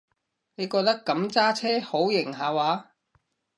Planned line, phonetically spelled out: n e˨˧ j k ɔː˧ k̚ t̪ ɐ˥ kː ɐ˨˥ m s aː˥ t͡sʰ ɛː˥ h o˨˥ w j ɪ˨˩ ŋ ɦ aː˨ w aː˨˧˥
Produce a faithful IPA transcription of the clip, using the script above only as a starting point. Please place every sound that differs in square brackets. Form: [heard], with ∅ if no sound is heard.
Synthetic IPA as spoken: n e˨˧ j k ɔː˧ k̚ t̪ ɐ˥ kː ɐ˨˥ m [t͡s] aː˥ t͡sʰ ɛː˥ h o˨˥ w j ɪ˨˩ ŋ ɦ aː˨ w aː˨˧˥